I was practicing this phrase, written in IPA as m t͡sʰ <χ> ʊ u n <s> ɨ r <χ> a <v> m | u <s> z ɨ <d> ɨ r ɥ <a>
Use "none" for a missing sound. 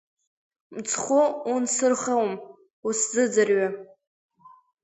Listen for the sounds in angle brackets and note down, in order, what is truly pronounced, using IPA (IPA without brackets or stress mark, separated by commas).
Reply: χ, s, χ, w, s, d͡z, a